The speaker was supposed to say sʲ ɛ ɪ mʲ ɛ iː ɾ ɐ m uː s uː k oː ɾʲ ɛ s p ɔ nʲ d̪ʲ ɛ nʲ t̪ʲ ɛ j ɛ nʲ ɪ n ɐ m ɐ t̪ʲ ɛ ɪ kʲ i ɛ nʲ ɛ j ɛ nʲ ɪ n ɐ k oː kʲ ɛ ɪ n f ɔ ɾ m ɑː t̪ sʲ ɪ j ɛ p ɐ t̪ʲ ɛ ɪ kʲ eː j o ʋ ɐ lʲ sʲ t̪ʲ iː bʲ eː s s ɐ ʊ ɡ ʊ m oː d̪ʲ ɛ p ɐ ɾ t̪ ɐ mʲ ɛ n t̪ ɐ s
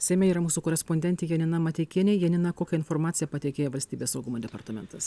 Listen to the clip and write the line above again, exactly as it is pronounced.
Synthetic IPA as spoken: sʲ ɛ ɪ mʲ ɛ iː ɾ ɐ m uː s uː k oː ɾʲ ɛ s p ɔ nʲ d̪ʲ ɛ nʲ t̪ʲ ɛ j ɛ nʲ ɪ n ɐ m ɐ t̪ʲ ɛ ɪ kʲ i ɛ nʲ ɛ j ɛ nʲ ɪ n ɐ k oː kʲ ɛ ɪ n f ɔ ɾ m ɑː t̪ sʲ ɪ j ɛ p ɐ t̪ʲ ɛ ɪ kʲ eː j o ʋ ɐ lʲ sʲ t̪ʲ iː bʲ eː s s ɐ ʊ ɡ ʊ m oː d̪ʲ ɛ p ɐ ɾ t̪ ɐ mʲ ɛ n t̪ ɐ s